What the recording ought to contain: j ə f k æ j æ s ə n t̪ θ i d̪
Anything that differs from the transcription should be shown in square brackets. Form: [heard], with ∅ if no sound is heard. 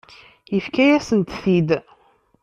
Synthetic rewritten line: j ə f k æ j æ s ə n t̪ θ i d̪